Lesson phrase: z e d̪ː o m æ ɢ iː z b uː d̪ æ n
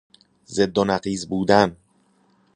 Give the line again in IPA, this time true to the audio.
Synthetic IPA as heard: z e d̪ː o n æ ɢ iː z b uː d̪ æ n

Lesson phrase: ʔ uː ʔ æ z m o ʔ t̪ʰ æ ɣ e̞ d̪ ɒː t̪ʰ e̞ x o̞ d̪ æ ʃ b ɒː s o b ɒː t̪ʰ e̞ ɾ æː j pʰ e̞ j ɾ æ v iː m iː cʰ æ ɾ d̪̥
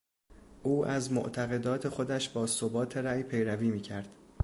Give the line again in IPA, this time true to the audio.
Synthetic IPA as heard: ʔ uː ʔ æ z m o ʔ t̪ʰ æ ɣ e̞ d̪ ɒː t̪ʰ e̞ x o̞ d̪ æ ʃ b ɒː s o b ɒː t̪ʰ e̞ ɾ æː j pʰ e̞ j ɾ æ v iː m iː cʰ æ ɾ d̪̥

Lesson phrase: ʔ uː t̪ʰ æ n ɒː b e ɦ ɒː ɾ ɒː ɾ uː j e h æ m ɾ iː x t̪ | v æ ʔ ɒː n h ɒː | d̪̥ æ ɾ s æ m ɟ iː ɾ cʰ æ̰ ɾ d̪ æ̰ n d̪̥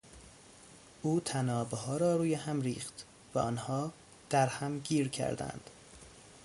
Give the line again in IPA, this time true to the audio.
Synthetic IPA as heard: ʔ uː t̪ʰ æ n ɒː b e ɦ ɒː ɾ ɒː ɾ uː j e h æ m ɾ iː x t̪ | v æ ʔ ɒː n h ɒː | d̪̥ æ ɾ h æ m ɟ iː ɾ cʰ æ̰ ɾ d̪ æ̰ n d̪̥

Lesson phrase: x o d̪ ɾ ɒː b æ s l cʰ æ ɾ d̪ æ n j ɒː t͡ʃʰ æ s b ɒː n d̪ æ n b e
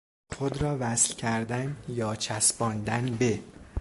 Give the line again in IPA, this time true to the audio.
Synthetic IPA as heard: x o d̪ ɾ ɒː v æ s l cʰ æ ɾ d̪ æ n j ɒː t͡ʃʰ æ s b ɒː n d̪ æ n b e

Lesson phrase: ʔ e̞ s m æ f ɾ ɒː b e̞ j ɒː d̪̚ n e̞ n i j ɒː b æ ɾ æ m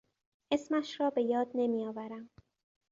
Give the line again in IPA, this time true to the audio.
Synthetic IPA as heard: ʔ e̞ s m æ ʃ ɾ ɒː b e̞ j ɒː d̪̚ n e̞ m i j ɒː v æ ɾ æ m

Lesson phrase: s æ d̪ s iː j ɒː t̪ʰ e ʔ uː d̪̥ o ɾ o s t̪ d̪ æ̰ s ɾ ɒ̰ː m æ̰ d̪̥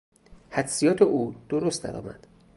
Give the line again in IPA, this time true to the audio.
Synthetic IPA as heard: h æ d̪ s i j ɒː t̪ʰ e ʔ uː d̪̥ o ɾ o s t̪ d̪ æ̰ ɾ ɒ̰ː m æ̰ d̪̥

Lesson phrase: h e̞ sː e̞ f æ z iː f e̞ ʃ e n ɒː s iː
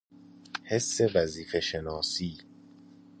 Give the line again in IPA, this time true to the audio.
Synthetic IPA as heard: h e̞ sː e̞ v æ z iː f e̞ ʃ e n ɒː s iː

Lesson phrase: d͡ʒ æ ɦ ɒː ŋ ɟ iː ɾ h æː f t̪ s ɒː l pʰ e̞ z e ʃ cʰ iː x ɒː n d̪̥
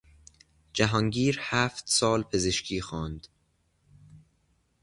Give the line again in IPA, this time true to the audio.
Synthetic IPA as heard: d͡ʒ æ ɦ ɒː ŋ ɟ iː ɾ h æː f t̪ s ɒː l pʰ e̞ z e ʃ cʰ iː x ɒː n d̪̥

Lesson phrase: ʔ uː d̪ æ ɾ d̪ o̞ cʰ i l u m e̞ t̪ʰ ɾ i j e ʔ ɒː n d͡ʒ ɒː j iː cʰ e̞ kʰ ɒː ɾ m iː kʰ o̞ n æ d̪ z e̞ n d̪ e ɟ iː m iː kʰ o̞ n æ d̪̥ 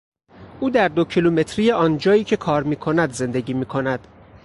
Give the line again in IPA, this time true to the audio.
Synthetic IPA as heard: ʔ uː d̪ æ ɾ d̪ o̞ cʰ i l u m e̞ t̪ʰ ɾ i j e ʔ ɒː n d͡ʒ ɒː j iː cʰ e̞ kʰ ɒː ɾ m iː kʰ o̞ n æ d̪ z e̞ n d̪ e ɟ iː m iː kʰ o̞ n æ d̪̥

